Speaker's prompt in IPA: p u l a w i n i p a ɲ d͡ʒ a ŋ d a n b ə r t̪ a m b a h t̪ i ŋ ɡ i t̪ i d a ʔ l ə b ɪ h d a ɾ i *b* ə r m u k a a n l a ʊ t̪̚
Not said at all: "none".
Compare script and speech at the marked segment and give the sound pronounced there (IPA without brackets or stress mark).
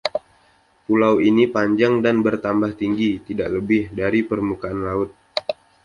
p